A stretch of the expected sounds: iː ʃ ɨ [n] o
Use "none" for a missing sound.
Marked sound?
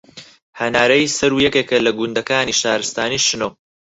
n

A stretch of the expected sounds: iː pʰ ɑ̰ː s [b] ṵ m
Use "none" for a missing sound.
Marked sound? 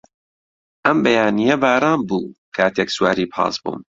b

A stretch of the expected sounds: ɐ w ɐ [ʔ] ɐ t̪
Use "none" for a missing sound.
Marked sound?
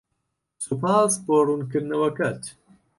k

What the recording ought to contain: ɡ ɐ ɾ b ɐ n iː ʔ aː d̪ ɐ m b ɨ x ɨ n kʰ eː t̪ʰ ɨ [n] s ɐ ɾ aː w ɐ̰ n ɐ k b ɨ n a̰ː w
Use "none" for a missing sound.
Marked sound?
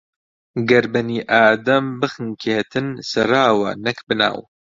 n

